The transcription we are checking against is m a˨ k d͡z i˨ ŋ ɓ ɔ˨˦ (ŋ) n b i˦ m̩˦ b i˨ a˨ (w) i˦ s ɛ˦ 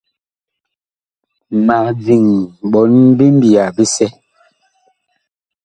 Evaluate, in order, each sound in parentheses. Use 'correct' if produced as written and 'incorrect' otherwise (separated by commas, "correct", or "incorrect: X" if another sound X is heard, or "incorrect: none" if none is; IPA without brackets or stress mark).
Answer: incorrect: none, incorrect: b